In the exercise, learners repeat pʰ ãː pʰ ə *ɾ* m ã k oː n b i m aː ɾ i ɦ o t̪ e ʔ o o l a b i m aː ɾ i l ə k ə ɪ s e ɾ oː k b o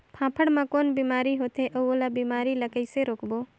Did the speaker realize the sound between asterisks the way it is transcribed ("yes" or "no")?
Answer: no